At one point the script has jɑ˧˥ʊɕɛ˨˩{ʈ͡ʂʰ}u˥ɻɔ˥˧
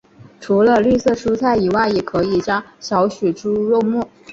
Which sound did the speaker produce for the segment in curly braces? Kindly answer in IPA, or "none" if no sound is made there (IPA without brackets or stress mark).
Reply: ʈ͡ʂ